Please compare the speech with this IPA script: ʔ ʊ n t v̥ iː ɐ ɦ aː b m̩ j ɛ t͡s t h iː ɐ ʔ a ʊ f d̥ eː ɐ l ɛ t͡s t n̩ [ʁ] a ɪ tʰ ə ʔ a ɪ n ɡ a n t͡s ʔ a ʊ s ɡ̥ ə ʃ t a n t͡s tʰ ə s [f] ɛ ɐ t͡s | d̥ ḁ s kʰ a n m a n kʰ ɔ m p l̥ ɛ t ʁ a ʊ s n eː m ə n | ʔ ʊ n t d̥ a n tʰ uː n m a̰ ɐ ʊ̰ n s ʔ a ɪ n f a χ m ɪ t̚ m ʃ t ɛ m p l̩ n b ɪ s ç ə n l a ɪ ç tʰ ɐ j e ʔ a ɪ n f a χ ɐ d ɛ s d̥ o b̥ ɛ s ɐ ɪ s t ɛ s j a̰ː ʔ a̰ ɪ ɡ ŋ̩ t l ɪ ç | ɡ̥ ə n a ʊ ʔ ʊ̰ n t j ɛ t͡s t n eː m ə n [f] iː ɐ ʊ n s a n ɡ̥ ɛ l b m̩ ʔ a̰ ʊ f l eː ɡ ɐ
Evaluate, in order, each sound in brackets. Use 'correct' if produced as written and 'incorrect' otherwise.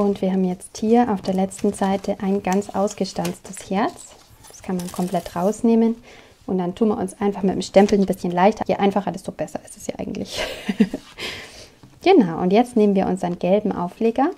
incorrect: z, incorrect: h, incorrect: v

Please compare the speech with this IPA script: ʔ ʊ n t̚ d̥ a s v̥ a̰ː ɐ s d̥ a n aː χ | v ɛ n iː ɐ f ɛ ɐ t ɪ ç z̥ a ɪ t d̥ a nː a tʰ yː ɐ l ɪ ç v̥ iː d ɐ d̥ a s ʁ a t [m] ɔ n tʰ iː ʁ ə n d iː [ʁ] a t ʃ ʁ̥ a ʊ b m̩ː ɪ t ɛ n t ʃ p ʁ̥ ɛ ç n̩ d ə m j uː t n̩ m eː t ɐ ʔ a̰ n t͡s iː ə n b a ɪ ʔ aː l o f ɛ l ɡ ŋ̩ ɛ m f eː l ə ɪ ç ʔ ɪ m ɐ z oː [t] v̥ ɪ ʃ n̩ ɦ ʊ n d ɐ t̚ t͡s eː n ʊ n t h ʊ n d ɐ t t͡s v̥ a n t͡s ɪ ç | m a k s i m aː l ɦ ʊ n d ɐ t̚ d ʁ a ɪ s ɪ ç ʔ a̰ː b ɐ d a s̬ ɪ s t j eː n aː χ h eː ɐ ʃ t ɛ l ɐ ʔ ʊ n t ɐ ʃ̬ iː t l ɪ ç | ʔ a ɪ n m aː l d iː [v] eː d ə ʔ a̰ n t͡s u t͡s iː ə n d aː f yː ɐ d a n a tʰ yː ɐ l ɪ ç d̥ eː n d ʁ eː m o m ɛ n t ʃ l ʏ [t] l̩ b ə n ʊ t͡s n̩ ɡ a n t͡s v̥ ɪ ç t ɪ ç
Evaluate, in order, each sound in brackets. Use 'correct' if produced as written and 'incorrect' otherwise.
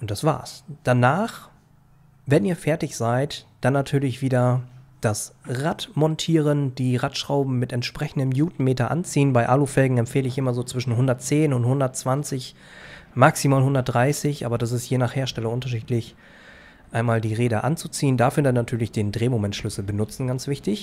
correct, correct, incorrect: t͡s, incorrect: ʁ, incorrect: s

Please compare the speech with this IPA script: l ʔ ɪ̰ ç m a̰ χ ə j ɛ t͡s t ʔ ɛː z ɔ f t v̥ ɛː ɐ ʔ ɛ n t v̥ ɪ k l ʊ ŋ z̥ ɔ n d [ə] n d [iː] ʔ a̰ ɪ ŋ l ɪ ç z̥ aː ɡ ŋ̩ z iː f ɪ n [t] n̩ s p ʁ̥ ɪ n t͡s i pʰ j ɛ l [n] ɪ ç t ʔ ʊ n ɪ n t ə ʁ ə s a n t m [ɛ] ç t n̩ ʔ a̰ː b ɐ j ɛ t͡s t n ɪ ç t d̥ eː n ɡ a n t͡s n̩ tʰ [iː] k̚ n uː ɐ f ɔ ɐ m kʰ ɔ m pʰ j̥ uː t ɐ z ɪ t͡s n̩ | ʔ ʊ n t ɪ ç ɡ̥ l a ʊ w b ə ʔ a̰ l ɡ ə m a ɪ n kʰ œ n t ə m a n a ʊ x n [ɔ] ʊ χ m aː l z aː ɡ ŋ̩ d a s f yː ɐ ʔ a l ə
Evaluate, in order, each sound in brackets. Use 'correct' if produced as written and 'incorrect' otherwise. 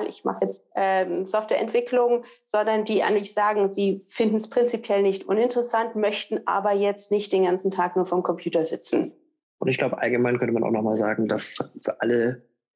incorrect: ɐ, correct, incorrect: d, correct, incorrect: œ, incorrect: aː, correct

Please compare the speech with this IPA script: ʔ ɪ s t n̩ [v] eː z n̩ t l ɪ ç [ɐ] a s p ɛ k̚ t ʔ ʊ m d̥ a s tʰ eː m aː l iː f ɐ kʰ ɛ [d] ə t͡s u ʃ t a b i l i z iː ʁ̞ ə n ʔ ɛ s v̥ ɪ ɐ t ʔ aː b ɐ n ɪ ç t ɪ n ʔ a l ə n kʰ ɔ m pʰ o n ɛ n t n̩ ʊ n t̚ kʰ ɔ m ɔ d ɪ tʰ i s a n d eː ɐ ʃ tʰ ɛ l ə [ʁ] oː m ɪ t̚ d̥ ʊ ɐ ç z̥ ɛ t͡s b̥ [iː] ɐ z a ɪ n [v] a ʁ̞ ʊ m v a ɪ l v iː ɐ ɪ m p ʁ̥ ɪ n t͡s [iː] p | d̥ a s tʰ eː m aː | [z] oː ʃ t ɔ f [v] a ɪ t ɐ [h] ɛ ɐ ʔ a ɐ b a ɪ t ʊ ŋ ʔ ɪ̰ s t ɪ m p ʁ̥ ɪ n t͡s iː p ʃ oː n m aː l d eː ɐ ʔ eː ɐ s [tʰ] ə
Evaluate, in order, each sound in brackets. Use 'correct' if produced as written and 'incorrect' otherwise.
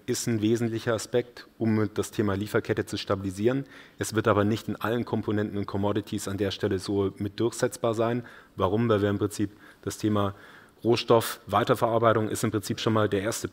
correct, correct, incorrect: t, incorrect: z, incorrect: aː, correct, correct, incorrect: ʁ, correct, incorrect: f, incorrect: t

